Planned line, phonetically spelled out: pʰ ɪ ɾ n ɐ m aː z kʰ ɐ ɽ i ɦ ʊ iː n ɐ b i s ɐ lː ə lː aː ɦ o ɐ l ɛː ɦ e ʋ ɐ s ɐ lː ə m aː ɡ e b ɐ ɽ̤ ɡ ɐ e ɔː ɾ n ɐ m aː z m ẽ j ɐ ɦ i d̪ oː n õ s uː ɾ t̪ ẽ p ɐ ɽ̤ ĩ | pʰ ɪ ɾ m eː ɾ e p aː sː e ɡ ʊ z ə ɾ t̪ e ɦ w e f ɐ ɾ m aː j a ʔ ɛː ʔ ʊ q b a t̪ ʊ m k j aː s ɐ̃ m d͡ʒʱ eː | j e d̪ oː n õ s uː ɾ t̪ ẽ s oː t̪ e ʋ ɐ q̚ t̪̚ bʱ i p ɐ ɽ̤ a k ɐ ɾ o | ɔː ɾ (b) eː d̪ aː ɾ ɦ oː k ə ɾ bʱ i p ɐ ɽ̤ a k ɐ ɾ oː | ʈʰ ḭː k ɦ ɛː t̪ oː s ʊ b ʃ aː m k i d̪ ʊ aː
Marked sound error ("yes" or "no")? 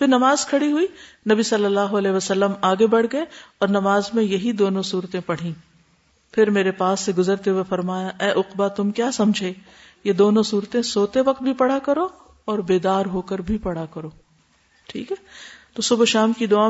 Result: no